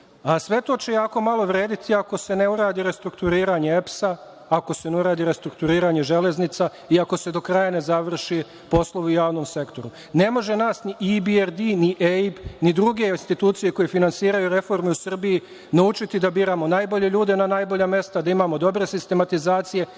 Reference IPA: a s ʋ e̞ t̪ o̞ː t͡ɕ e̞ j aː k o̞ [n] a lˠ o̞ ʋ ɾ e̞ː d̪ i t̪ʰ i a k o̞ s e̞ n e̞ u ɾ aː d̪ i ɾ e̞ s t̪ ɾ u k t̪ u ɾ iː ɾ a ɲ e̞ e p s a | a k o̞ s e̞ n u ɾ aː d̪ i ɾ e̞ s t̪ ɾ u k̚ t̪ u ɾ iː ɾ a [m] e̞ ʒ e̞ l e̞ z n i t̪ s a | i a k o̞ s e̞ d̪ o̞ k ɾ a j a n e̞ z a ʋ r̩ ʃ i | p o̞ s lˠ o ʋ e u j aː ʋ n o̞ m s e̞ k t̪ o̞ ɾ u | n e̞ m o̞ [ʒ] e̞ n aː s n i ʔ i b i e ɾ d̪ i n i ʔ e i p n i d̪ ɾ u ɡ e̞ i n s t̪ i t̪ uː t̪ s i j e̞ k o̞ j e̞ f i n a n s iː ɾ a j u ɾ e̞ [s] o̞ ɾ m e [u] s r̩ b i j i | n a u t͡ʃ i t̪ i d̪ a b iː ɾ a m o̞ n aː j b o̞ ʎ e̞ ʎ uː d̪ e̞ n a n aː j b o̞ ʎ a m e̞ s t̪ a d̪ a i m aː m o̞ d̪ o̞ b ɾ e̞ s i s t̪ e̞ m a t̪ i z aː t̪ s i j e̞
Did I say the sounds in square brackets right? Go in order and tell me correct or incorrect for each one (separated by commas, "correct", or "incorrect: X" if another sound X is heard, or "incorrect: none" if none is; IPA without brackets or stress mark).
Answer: incorrect: m, incorrect: ɲ, correct, incorrect: f, correct